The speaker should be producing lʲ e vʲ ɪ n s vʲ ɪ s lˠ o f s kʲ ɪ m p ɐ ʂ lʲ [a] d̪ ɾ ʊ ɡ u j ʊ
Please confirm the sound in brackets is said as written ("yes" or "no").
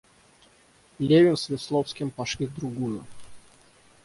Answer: no